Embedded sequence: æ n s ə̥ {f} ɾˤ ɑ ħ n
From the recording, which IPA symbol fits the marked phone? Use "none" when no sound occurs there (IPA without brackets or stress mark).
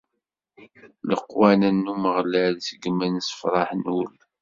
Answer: f